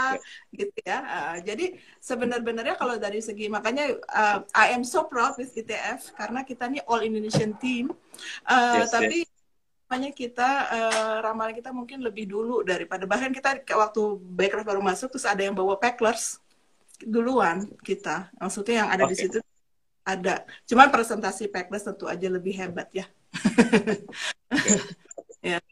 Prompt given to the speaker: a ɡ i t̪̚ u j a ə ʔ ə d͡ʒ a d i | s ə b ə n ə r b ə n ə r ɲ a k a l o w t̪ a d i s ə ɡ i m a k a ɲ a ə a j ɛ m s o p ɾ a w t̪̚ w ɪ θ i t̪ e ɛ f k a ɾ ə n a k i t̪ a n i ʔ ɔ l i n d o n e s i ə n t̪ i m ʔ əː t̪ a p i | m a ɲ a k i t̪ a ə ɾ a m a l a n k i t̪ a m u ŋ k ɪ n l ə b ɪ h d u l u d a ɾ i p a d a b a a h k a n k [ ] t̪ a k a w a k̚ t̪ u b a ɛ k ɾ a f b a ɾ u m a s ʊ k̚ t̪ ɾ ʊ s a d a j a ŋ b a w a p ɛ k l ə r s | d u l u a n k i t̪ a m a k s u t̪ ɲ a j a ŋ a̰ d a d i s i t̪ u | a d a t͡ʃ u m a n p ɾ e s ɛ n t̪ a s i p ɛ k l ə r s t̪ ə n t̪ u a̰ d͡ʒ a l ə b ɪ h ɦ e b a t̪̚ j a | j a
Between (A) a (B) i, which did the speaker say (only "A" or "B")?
B